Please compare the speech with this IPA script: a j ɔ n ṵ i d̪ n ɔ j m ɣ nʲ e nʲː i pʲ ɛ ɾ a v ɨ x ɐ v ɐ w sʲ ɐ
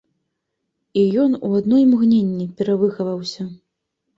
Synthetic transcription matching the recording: i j ɔ n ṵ a d̪ n ɔ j m ɣ nʲ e nʲː i pʲ ɛ ɾ a v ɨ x ɐ v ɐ w sʲ ɐ